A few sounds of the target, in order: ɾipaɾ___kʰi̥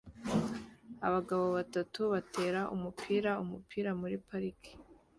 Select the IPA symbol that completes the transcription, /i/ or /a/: i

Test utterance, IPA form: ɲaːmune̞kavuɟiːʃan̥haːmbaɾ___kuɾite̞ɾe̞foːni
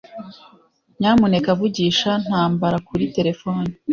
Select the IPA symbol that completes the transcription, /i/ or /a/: a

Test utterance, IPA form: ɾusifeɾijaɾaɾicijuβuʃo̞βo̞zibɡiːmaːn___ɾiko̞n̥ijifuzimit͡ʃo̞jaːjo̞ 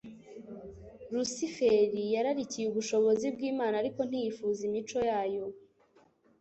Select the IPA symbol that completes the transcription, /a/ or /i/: a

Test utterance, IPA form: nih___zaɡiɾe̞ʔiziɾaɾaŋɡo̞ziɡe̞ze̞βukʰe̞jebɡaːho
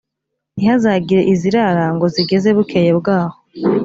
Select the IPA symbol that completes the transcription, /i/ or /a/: a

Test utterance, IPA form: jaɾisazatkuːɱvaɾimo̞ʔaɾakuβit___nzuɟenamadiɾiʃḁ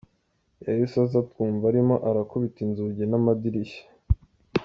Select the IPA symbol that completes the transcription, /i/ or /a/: i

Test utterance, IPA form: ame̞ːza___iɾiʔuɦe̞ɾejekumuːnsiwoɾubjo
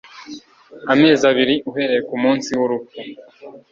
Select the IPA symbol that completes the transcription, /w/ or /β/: β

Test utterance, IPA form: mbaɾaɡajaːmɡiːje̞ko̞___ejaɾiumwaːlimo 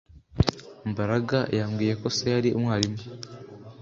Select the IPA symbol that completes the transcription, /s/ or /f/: s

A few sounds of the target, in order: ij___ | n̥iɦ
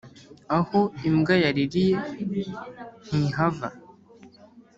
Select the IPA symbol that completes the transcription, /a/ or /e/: e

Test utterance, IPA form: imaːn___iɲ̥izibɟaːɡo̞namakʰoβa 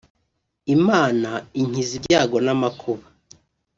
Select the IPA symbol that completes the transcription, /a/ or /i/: a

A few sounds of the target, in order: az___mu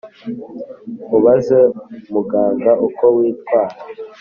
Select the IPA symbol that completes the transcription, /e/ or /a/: e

